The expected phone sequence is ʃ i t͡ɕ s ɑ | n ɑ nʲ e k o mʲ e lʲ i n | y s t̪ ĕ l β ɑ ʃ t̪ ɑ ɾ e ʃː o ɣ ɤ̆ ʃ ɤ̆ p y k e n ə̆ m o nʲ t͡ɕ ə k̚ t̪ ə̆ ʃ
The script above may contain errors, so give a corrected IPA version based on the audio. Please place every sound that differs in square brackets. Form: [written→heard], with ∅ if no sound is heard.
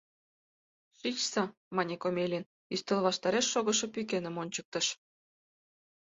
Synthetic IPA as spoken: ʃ i t͡ɕ s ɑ | [n→m] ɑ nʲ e k o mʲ e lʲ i n | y s t̪ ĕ l β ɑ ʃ t̪ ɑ ɾ e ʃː o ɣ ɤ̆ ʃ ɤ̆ p y k e n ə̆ m o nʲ t͡ɕ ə k̚ t̪ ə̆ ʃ